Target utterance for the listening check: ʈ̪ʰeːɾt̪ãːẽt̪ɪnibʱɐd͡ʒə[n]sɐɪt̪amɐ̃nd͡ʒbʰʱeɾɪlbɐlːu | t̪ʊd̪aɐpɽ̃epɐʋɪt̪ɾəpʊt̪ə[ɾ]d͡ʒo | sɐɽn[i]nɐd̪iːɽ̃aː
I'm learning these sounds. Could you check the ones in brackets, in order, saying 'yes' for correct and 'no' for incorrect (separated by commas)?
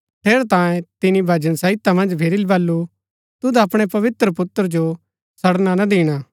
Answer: yes, yes, no